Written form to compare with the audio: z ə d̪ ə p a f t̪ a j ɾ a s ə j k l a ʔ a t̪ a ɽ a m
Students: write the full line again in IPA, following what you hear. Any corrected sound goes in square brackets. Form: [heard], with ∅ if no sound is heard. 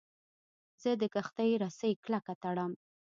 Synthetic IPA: z ə d̪ ə [k] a [x] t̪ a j ɾ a s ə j k l a [k] a t̪ a ɽ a m